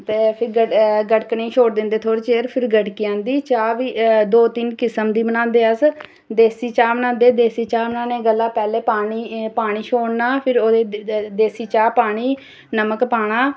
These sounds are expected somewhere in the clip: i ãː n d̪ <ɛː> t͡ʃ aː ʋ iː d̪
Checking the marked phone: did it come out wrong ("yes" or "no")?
yes